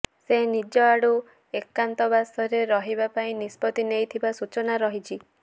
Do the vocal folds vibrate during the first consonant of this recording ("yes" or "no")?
no